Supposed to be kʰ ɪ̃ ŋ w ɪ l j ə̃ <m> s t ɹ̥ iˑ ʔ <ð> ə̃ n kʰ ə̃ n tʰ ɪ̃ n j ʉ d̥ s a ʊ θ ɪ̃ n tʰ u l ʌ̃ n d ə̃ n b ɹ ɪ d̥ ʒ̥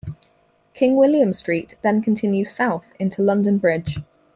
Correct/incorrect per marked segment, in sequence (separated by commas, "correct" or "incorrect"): correct, correct